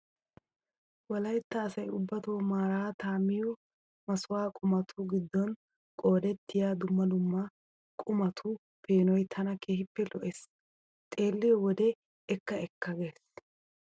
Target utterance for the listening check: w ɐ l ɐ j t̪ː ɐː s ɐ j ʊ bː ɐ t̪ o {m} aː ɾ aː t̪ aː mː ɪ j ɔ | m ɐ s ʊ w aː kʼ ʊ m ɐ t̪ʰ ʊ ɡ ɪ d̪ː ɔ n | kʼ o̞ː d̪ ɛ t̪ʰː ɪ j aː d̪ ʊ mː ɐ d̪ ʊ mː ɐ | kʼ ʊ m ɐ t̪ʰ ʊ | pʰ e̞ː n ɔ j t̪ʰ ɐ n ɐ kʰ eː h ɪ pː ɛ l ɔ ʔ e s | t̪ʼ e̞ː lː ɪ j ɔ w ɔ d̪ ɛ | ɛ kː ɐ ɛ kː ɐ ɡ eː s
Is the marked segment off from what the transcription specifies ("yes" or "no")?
no